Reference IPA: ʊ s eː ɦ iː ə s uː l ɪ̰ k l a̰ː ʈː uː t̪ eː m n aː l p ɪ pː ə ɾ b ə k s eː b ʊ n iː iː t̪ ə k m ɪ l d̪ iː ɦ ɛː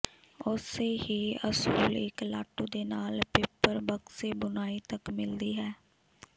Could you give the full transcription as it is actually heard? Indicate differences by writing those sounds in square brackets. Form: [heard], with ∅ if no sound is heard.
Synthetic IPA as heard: ʊ s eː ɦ iː ə s uː l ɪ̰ k l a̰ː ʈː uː [d̪] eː [∅] n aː l p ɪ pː ə ɾ b ə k s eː b ʊ n [aː] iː t̪ ə k m ɪ l d̪ iː ɦ ɛː